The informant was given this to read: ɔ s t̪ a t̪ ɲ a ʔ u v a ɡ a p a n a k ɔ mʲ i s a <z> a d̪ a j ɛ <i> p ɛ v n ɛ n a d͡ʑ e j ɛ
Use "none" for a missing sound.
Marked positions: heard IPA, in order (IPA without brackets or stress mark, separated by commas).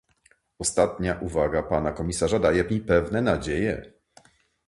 ʐ, i